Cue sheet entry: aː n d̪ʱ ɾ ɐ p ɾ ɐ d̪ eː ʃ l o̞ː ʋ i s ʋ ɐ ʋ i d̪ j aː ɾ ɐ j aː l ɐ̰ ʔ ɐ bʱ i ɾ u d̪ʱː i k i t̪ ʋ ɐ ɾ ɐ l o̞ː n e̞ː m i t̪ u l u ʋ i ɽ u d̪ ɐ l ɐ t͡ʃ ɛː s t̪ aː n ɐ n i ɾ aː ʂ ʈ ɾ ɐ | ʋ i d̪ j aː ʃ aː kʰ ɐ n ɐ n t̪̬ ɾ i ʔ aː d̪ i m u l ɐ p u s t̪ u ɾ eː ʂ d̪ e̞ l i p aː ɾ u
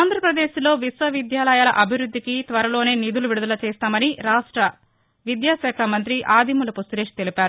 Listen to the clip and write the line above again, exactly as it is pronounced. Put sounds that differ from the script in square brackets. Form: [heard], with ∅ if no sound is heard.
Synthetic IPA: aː n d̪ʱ ɾ ɐ p ɾ ɐ d̪ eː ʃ l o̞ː ʋ i s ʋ ɐ ʋ i d̪ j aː [l] ɐ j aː l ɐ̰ ʔ ɐ bʱ i ɾ u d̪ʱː i k i t̪ ʋ ɐ ɾ ɐ l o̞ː n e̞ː [n] i [d̪] u l u ʋ i ɽ u d̪ ɐ l ɐ t͡ʃ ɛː s t̪ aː [m] ɐ n i ɾ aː ʂ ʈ ɾ ɐ | ʋ i d̪ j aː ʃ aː kʰ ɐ [m] ɐ n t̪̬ ɾ i ʔ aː d̪ i m u l ɐ p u s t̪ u ɾ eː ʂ [t̪] e̞ l i p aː ɾ u

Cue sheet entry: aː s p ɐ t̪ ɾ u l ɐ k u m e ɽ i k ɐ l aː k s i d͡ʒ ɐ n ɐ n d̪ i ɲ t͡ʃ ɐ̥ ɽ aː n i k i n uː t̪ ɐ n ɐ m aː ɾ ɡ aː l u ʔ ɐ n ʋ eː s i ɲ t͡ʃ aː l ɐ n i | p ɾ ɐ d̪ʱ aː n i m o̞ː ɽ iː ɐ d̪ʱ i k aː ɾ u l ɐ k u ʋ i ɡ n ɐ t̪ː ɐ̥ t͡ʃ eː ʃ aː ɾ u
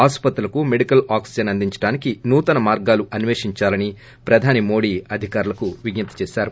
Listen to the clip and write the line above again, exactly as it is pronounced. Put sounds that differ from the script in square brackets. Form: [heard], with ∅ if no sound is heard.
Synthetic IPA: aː s p ɐ t̪ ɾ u l ɐ k u m e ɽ i k ɐ l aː k s i d͡ʒ ɐ n ɐ n d̪ i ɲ t͡ʃ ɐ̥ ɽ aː n i k i n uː t̪ ɐ n ɐ m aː ɾ ɡ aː l u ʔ ɐ n ʋ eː [ʂ] i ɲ t͡ʃ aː l ɐ n i | p ɾ ɐ d̪ʱ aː n i m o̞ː ɽ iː ɐ d̪ʱ i k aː ɾ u l ɐ k u ʋ i ɡ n ɐ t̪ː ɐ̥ t͡ʃ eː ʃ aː ɾ u

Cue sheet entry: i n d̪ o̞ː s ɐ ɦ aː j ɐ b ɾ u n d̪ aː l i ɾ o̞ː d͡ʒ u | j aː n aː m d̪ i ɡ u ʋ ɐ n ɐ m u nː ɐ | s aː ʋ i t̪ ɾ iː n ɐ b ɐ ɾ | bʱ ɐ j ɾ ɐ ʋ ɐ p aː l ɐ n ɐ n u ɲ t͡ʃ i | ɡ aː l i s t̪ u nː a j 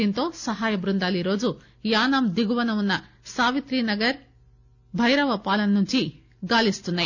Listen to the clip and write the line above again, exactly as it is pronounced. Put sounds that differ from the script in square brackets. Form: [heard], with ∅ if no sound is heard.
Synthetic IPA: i n [t̪] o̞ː s ɐ ɦ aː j ɐ b ɾ u n d̪ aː l i ɾ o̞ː d͡ʒ u | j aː n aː m d̪ i ɡ u ʋ ɐ n ɐ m u nː ɐ | s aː ʋ i t̪ ɾ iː n ɐ [ɡ] ɐ ɾ | bʱ ɐ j ɾ ɐ ʋ ɐ p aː l ɐ n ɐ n u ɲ t͡ʃ i | ɡ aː l i s t̪ u nː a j

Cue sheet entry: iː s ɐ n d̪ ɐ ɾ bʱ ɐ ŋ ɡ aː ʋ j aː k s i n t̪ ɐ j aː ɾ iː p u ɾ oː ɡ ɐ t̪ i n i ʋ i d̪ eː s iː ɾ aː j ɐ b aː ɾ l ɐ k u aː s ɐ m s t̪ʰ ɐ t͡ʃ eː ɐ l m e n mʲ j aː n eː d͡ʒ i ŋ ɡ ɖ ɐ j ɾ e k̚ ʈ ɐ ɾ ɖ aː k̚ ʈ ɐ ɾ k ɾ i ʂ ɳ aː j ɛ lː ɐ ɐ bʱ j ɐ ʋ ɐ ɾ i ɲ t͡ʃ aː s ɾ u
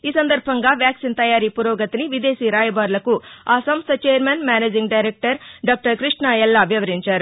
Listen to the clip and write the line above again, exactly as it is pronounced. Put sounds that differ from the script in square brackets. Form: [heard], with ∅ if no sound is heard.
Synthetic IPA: iː s ɐ n d̪ ɐ ɾ bʱ ɐ ŋ ɡ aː ʋ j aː k s i n t̪ ɐ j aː ɾ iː p u ɾ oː ɡ ɐ t̪ i n i ʋ i d̪ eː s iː ɾ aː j ɐ b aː ɾ l ɐ k u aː s ɐ m s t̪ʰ ɐ t͡ʃ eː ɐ [ɾ] m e n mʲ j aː n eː d͡ʒ i ŋ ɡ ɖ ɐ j ɾ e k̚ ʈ ɐ ɾ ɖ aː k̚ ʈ ɐ ɾ k ɾ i ʂ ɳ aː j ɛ lː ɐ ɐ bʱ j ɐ ʋ ɐ ɾ i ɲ t͡ʃ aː [∅] ɾ u

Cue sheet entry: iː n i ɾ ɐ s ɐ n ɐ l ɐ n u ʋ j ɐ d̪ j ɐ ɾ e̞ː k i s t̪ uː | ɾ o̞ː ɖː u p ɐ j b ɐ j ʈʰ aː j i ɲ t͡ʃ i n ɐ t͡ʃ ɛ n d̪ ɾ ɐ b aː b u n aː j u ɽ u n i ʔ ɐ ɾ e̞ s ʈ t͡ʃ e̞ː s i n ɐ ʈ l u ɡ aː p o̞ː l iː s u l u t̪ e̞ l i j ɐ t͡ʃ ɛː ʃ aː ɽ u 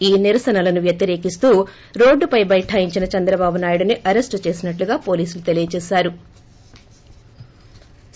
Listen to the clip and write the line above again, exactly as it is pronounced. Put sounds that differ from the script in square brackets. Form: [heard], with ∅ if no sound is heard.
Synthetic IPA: iː n i ɾ ɐ s ɐ n ɐ l ɐ n u ʋ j ɐ [t̪] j ɐ ɾ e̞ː k i s t̪ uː | ɾ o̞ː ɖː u p ɐ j b ɐ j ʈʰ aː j i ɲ t͡ʃ i n ɐ t͡ʃ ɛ n d̪ ɾ ɐ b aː b u n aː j u ɽ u n i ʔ ɐ ɾ e̞ s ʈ t͡ʃ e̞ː s i n ɐ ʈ l u ɡ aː p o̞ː l iː s u l u t̪ e̞ l i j ɐ t͡ʃ ɛː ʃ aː [ɾ] u

